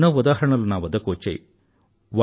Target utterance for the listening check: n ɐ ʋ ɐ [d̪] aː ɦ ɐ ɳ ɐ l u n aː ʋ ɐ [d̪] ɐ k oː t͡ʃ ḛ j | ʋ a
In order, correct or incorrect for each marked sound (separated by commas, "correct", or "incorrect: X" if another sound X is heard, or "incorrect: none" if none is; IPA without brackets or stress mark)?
correct, correct